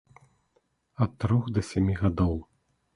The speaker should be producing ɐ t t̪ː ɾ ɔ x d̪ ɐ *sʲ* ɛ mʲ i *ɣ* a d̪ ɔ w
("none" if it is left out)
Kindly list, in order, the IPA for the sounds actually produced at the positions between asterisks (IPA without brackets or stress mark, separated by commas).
sʲ, ɣ